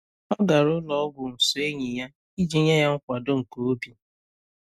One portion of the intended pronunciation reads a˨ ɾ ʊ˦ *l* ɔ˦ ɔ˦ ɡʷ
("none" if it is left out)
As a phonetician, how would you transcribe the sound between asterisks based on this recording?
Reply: l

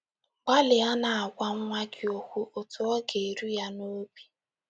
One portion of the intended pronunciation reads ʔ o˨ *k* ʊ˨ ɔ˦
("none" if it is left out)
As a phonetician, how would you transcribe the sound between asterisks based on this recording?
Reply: t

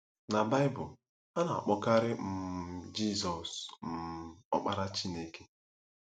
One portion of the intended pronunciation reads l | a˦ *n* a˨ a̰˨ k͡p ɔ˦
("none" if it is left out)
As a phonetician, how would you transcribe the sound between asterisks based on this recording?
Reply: n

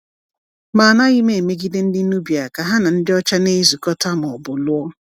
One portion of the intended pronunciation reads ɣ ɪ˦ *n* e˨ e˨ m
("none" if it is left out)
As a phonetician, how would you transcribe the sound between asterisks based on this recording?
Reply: m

